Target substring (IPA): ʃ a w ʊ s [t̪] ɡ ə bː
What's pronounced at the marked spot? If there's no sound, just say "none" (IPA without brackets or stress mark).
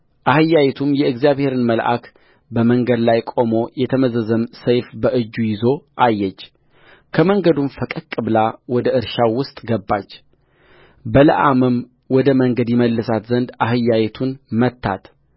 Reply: t̪ʼ